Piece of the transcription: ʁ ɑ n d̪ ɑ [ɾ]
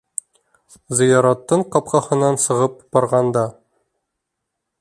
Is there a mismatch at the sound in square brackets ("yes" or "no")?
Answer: yes